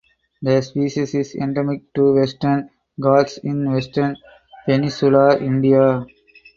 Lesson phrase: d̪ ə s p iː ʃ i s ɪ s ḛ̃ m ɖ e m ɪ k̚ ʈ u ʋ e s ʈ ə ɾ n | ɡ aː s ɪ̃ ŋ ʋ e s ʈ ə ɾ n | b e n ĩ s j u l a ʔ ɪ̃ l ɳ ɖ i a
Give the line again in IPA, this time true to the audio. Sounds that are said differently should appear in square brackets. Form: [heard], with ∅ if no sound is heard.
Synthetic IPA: d̪ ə s p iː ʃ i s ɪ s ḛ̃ [ɳ] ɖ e m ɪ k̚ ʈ u ʋ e s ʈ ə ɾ n | ɡ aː s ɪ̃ [n] ʋ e s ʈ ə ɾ n | [p] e n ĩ s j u l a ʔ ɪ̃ [∅] ɳ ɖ i a